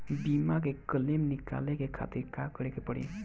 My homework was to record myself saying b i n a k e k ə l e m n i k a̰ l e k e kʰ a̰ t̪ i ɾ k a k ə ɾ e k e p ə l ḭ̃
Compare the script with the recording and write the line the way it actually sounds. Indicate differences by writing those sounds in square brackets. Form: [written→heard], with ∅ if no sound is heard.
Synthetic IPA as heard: b i [n→m] a k e k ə l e m n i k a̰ l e k e kʰ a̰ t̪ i ɾ k a k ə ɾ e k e p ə [l→ɽ] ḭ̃